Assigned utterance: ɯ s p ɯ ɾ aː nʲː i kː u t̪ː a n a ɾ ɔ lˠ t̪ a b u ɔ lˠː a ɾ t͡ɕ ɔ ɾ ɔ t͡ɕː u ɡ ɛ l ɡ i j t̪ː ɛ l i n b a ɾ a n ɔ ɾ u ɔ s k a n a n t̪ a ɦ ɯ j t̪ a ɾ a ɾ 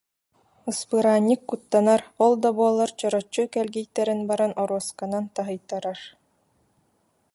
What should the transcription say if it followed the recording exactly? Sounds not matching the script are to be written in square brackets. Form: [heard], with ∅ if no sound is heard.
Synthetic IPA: ɯ s p ɯ ɾ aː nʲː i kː u t̪ː a n a ɾ ɔ lˠ [d̪] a b u ɔ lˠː a ɾ t͡ɕ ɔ ɾ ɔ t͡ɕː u [k] ɛ l ɡ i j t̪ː ɛ [ɾ] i n b a ɾ a n ɔ ɾ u ɔ s k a n a n t̪ a ɦ ɯ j t̪ a ɾ a ɾ